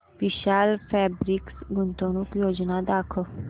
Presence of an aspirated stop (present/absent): present